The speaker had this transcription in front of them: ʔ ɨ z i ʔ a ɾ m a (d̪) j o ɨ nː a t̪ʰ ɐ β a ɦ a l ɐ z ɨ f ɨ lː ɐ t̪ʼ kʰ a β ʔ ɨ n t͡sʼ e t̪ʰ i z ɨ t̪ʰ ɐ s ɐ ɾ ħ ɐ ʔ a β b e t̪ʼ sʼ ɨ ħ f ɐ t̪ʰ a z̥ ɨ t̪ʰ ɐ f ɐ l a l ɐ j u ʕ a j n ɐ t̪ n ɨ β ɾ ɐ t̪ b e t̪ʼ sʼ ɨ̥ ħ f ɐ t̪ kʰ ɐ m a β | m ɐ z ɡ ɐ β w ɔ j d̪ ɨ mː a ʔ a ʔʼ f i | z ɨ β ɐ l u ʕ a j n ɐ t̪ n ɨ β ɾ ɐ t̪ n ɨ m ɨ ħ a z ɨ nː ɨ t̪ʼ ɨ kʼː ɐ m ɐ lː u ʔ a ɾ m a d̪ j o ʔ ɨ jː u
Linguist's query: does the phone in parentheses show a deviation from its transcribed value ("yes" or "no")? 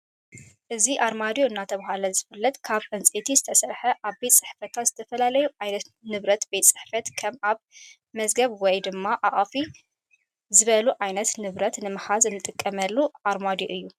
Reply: no